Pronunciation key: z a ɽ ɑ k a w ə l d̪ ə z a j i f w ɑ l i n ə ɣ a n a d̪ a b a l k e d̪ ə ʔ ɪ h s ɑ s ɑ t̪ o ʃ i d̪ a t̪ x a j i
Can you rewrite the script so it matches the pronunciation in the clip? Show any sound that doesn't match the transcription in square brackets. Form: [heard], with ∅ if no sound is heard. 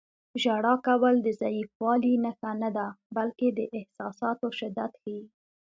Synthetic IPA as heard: [ʒ] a ɽ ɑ k a w ə l d̪ ə z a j i f w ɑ l i n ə [x] a n a d̪ a b a l k e d̪ ə ʔ ɪ h s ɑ s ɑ t̪ o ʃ [ɪ] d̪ a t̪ x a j i